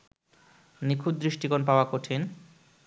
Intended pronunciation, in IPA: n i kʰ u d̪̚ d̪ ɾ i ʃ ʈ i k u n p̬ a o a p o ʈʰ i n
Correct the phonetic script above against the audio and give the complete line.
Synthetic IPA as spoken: n i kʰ u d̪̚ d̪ ɾ i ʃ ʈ i k o n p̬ a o a k o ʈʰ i n